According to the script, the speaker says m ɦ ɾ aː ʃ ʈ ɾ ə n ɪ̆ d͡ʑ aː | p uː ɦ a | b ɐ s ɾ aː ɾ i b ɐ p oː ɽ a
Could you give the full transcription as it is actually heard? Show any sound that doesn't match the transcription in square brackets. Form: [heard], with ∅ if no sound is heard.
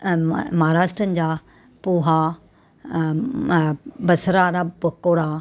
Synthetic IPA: m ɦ ɾ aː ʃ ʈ ɾ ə n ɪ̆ d͡ʑ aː | p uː ɦ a | b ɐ s ɾ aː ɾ [a] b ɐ [k] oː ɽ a